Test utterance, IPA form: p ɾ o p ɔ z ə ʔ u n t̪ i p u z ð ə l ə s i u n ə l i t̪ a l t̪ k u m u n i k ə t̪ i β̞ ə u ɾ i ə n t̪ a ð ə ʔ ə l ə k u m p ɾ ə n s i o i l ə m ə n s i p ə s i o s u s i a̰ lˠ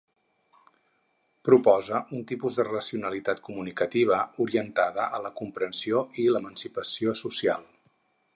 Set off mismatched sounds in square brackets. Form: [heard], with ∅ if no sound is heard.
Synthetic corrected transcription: p ɾ [u] p ɔ z ə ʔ u n t̪ i p u z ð ə [r] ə s i u n ə l i t̪ a [∅] t̪ k u m u n i k ə t̪ i β̞ ə u ɾ i ə n t̪ a ð ə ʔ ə l ə k u m p ɾ ə n s i o i l ə m ə n s i p ə s i o s u s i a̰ lˠ